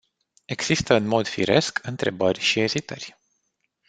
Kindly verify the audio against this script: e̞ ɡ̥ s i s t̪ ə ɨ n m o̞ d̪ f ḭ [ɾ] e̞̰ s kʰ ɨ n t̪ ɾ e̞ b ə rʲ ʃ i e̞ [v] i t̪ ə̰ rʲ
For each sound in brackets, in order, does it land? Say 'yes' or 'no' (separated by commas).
yes, no